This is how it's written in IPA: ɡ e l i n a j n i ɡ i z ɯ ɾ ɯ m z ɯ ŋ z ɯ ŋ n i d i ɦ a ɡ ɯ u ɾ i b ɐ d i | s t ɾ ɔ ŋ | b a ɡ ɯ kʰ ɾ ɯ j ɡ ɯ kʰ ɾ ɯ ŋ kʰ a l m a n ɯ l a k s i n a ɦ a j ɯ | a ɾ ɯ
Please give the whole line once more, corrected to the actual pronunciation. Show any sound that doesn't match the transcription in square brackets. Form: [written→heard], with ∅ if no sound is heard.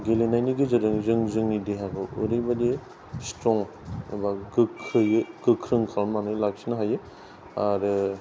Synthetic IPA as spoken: ɡ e l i n a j n i ɡ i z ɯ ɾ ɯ [m→ŋ] z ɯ ŋ z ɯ ŋ n i d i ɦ a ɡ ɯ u ɾ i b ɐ d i | s t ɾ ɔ ŋ | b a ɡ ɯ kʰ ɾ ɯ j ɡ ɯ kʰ ɾ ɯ ŋ kʰ a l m a n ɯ l a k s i n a ɦ a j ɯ | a ɾ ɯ

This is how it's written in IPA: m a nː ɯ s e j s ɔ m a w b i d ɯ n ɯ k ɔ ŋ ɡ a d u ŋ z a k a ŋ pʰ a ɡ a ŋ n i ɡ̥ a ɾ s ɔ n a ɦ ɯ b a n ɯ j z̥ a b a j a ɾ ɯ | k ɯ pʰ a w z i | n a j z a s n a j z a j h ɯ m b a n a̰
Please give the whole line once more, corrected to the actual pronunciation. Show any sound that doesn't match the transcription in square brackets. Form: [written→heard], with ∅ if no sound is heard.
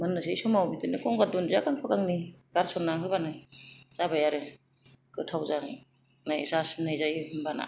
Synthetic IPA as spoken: m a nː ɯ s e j s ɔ m a w b i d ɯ n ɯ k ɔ ŋ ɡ a d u [ŋ→n] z a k a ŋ pʰ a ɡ a ŋ n i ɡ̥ a ɾ s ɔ n a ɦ ɯ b a n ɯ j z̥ a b a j a ɾ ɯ | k ɯ [pʰ→tʰ] a w z [i→a] | n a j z a s n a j z a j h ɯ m b a n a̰

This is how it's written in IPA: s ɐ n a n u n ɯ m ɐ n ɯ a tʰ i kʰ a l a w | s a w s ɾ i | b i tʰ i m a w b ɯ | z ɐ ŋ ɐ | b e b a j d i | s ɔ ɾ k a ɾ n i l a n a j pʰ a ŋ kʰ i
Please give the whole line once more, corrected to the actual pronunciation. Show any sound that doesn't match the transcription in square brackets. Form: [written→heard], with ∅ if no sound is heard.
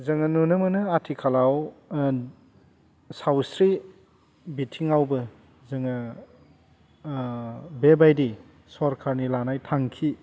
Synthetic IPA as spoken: [s→z] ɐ [n→ŋ] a n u n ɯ m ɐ n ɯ a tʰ i kʰ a l a w | s a w s ɾ i | b i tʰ i [m→ŋ] a w b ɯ | z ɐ ŋ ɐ | b e b a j d i | s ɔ ɾ [k→kʰ] a ɾ n i l a n a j [pʰ→tʰ] a ŋ kʰ i

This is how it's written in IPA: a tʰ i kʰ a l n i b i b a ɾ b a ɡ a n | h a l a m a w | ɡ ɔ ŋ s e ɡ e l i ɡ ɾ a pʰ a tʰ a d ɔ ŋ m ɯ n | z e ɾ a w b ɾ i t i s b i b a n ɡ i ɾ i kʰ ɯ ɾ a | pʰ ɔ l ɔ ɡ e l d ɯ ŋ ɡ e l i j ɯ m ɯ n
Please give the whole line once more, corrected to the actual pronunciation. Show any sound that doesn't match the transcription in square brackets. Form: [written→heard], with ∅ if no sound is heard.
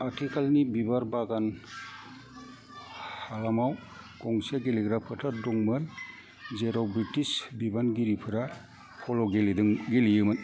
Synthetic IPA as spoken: a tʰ i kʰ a l n i b i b a ɾ b a ɡ a n | h a l a m a w | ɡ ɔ ŋ s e ɡ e l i ɡ ɾ a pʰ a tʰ a d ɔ ŋ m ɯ n | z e ɾ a w b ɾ i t i s b i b a n ɡ i ɾ i [kʰ→pʰ] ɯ ɾ a | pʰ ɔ l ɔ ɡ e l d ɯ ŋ ɡ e l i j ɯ m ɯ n

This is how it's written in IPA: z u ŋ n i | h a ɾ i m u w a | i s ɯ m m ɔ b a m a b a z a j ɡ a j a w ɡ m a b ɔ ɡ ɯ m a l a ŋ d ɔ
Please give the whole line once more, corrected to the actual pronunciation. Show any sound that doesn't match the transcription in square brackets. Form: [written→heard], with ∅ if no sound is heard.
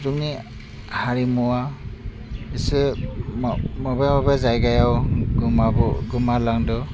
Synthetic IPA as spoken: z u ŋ n i | h a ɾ i m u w a | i s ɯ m m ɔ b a m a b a z a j ɡ a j a w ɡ m a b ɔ ɡ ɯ m a l a ŋ d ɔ

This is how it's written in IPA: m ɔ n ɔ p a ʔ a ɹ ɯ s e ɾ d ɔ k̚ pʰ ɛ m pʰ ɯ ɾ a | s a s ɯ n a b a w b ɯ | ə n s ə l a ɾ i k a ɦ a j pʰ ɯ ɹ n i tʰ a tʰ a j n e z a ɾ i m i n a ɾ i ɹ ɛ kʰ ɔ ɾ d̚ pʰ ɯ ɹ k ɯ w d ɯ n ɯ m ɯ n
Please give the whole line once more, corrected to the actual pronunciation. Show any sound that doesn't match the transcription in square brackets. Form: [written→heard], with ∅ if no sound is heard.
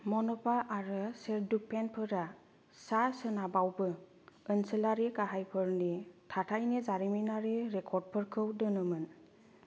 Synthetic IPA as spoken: m ɔ n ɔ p a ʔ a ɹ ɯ s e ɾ d [ɔ→u] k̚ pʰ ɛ [m→n] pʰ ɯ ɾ a | s a s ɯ n a b a w b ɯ | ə n s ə l a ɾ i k a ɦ a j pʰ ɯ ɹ n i tʰ a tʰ a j n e z a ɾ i m i n a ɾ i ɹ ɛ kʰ ɔ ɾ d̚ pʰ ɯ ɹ [k→kʰ] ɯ w d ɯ n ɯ m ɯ n

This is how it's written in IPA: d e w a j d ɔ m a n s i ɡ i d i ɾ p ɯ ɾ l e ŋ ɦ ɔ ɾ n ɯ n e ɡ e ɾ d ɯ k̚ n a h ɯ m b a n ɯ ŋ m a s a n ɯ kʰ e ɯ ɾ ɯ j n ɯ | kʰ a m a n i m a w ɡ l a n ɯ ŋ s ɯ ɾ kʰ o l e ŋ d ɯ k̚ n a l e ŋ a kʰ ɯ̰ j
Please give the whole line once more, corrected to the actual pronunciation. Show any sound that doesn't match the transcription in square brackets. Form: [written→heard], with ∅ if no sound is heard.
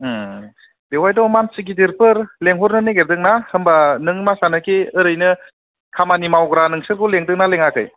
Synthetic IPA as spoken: d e w a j d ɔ m a n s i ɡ i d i ɾ p ɯ ɾ l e ŋ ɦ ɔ ɾ n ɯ n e ɡ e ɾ d ɯ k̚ n a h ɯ m b a n ɯ ŋ m a s a n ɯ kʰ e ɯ ɾ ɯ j n ɯ | kʰ a m a n i m a w ɡ [l→ɾ] a n ɯ ŋ s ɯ ɾ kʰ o l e ŋ d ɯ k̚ n a l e ŋ a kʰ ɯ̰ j

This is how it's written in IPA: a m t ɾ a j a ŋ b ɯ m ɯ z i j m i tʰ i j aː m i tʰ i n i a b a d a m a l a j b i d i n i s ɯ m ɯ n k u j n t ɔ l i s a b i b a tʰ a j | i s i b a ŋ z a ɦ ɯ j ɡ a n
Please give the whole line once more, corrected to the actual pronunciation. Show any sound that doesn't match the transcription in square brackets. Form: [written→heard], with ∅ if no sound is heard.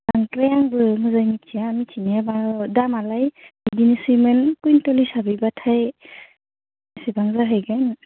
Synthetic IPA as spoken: a [m→ŋ] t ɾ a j a ŋ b ɯ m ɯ z [i→a] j m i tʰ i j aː m i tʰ i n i a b a d a m a l a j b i d i n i s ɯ m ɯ n k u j n t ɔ l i s a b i b a tʰ a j | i s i b a ŋ z a ɦ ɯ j ɡ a n

